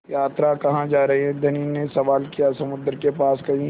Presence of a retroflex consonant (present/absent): absent